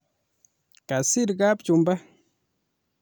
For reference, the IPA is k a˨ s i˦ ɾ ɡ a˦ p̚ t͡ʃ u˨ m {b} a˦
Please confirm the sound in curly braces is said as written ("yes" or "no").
yes